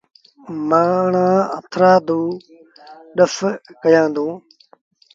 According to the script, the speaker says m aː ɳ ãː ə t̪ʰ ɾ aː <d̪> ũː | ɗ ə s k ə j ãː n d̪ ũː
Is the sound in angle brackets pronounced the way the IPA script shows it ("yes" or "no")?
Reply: yes